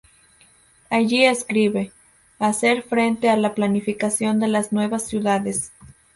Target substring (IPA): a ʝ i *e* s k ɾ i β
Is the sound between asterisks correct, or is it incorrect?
correct